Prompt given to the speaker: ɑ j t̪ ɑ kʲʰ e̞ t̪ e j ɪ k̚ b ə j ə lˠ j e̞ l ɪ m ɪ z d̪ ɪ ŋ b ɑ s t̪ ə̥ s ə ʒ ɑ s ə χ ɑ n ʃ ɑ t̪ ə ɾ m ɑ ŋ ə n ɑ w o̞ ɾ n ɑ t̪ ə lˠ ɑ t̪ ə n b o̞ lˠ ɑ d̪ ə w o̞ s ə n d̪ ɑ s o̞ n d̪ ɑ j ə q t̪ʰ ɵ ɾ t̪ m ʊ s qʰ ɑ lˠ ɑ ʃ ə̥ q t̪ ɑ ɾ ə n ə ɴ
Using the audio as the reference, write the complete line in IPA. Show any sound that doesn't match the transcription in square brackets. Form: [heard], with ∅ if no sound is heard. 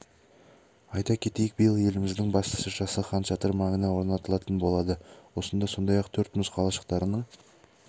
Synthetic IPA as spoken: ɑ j t̪ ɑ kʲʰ e̞ t̪ e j ɪ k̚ b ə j ə lˠ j e̞ l ɪ m ɪ z d̪ ɪ ŋ b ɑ s t̪ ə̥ s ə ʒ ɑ s ə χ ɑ n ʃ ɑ t̪ ə ɾ m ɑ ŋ ə n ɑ w o̞ ɾ n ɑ t̪ ə lˠ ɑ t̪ ə n b o̞ lˠ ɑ d̪ ə w o̞ s ə n d̪ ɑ s o̞ n d̪ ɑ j [ɑ] q t̪ʰ ɵ ɾ t̪ m ʊ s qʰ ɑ lˠ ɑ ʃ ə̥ q t̪ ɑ ɾ ə n ə ɴ